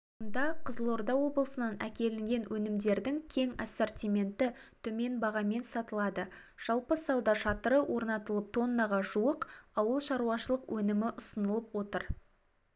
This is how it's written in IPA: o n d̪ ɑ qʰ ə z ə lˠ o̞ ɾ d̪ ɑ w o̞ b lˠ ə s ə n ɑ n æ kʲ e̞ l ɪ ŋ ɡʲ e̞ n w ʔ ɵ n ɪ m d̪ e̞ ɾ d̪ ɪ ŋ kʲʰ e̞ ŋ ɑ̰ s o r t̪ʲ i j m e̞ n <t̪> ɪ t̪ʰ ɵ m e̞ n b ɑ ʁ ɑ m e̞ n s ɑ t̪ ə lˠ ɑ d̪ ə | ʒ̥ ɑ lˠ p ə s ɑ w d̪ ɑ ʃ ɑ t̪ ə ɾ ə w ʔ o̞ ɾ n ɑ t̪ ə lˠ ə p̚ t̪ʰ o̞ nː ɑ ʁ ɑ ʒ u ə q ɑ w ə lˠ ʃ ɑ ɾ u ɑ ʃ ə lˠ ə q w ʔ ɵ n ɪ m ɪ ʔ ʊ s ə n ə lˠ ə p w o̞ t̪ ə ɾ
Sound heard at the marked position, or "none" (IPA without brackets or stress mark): t̪